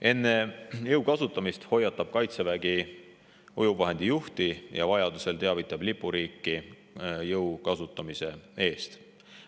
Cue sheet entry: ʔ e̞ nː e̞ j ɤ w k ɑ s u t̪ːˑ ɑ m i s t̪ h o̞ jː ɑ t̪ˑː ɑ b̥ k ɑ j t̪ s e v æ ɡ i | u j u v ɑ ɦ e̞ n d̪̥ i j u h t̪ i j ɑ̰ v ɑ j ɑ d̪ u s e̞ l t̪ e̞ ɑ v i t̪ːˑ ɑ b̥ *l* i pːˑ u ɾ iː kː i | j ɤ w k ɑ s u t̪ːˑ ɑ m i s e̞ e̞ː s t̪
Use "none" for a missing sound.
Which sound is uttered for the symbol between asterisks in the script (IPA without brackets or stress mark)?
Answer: l